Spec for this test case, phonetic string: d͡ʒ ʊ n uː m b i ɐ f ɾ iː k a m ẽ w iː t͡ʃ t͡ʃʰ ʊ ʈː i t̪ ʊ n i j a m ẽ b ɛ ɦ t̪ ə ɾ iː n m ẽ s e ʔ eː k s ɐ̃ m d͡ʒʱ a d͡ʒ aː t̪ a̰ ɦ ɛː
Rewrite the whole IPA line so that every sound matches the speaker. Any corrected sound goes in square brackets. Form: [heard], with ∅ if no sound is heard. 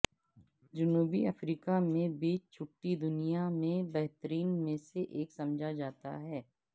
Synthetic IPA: d͡ʒ ʊ n uː [∅] b i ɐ f ɾ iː k a m ẽ [b] iː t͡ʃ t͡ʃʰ ʊ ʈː i [d̪] ʊ n i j a m ẽ b ɛ ɦ t̪ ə ɾ iː n m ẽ s e ʔ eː k s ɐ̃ m d͡ʒʱ a d͡ʒ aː t̪ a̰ ɦ ɛː